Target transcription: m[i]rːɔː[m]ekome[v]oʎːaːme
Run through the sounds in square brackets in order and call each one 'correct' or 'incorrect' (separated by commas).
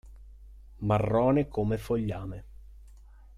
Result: incorrect, incorrect, incorrect